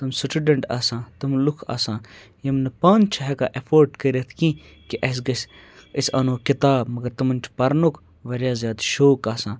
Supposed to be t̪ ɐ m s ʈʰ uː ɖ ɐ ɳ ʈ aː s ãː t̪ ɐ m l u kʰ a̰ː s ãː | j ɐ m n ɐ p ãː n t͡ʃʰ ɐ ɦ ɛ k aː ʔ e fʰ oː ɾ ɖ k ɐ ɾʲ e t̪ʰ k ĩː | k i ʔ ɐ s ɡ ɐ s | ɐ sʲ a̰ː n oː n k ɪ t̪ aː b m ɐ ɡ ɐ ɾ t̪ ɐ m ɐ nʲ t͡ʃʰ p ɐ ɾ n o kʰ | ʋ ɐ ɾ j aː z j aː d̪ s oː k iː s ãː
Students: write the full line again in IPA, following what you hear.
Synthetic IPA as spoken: t̪ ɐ m s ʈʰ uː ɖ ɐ ɳ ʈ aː s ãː t̪ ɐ m l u kʰ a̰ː s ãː | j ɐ m n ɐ p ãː n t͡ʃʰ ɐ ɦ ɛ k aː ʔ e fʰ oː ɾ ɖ k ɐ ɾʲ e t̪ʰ k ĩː | k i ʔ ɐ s ɡ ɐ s | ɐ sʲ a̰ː n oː k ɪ t̪ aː b m ɐ ɡ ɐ ɾ t̪ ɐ m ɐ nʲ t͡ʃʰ p ɐ ɾ n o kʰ | ʋ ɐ ɾ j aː z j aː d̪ ʃ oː k aː s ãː